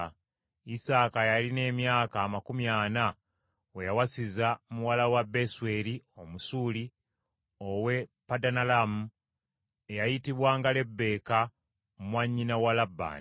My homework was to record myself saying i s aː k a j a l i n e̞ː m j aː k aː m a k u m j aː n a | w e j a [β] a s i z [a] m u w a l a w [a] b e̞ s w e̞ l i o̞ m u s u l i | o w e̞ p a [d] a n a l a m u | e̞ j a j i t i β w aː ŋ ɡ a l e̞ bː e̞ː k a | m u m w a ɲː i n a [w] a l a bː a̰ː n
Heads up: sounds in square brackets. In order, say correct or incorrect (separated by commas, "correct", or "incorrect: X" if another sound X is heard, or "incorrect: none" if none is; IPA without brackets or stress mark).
incorrect: w, correct, correct, correct, correct